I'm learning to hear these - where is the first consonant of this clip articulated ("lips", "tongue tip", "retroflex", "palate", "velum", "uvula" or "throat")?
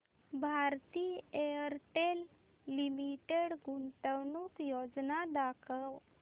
lips